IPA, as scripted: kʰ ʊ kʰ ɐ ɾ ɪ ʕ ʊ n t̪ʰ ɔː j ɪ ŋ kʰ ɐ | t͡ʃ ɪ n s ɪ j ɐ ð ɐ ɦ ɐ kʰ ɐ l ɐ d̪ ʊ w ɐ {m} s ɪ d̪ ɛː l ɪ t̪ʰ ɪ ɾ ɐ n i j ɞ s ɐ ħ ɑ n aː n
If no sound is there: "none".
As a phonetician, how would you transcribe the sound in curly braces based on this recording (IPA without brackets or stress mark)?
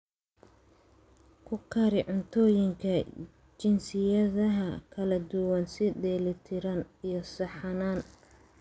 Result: n